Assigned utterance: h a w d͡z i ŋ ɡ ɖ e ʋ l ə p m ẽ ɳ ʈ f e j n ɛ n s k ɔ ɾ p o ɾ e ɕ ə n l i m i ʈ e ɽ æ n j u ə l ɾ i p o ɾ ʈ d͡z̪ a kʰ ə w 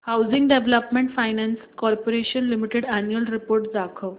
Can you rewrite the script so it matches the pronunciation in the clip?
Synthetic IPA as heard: h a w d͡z i ŋ ɡ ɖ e ʋ l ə p m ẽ ɳ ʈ f a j n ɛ n s k ɔ ɾ p o ɾ e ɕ ə n l i m i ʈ e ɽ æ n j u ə l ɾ i p o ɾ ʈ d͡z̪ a kʰ ə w